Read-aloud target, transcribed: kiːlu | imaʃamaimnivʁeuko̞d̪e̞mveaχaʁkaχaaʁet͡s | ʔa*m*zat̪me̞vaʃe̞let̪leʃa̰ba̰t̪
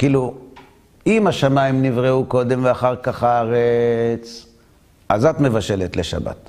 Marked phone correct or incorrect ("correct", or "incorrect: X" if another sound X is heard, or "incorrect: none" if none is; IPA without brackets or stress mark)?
incorrect: none